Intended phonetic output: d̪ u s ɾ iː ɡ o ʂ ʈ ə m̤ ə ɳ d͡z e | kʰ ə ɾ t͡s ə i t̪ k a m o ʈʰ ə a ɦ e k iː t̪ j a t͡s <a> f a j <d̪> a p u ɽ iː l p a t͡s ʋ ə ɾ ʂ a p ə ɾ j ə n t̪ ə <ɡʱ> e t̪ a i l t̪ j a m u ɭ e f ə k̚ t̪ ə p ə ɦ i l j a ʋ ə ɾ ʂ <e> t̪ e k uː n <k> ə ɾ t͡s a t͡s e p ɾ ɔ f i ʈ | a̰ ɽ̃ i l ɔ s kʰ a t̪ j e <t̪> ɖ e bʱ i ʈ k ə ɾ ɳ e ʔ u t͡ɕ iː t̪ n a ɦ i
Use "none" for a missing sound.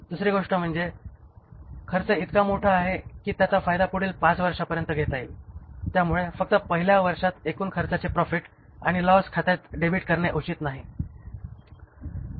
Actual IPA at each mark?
a, d̪, ɡʱ, a, kʰ, t̪

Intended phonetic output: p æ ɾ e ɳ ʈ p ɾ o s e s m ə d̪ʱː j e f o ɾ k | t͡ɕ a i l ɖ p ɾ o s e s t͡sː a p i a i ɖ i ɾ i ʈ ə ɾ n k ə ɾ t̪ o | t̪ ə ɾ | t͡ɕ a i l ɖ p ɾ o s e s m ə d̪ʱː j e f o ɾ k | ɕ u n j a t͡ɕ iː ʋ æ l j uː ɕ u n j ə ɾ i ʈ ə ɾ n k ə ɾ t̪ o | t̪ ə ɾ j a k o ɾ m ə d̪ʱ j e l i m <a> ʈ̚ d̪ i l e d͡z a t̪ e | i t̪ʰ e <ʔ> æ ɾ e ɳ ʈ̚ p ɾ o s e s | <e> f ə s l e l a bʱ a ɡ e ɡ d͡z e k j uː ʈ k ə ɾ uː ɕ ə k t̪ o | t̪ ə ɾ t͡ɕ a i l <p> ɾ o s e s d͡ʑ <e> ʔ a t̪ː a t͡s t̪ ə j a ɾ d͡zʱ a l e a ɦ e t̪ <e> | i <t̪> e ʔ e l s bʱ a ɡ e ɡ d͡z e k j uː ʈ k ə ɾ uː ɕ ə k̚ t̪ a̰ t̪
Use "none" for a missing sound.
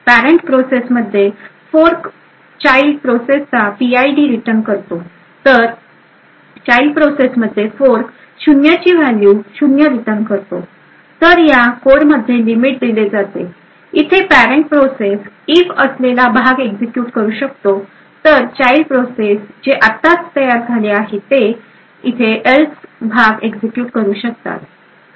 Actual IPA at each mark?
i, p, i, p, e, e, t̪ʰ

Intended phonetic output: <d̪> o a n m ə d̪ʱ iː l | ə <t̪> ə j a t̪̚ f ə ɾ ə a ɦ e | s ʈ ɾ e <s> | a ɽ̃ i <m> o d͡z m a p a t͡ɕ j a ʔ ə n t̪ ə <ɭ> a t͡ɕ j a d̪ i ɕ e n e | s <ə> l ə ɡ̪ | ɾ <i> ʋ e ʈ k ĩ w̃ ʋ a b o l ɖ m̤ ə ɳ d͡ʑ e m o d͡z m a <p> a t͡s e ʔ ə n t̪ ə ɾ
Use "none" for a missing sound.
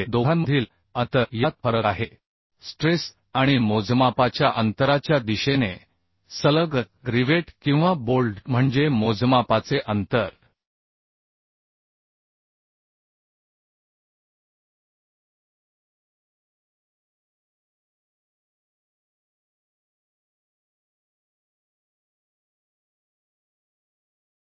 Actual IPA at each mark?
d̪, t̪, s, m, ɾ, ə, i, p

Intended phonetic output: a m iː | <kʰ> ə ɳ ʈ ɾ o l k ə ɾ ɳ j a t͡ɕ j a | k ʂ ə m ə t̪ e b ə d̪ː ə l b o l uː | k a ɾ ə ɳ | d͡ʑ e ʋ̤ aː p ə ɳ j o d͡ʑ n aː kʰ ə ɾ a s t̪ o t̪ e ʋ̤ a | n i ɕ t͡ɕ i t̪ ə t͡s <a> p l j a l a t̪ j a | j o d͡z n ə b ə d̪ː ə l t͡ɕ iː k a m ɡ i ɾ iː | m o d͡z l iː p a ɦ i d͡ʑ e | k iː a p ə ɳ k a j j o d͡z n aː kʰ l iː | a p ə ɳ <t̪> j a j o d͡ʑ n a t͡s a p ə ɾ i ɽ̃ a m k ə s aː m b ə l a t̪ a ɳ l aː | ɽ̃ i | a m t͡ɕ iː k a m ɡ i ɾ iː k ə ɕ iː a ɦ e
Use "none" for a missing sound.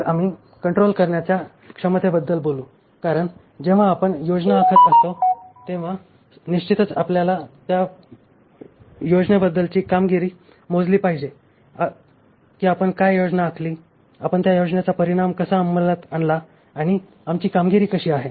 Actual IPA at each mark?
k, a, t̪

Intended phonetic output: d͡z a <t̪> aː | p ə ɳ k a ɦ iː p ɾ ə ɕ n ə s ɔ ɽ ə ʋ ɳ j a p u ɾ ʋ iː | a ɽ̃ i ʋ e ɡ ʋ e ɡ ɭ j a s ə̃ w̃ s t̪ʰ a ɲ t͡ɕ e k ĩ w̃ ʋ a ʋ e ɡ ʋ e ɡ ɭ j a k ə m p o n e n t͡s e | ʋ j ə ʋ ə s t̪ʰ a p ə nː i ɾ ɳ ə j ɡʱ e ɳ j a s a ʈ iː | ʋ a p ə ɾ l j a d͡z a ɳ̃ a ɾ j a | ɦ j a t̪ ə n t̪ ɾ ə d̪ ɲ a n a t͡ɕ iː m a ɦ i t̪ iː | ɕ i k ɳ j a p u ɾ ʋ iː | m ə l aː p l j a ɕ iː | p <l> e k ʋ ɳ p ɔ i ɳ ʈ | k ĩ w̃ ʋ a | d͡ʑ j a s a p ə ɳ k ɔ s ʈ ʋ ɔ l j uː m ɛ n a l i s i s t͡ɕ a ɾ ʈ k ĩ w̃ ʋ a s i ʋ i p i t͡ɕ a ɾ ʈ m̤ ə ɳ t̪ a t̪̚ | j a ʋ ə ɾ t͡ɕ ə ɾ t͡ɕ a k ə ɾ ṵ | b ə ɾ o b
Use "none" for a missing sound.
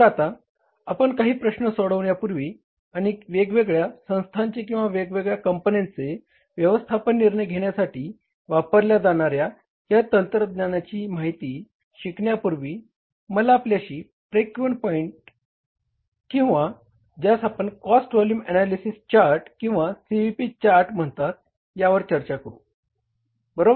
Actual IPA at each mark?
t̪, ɾ

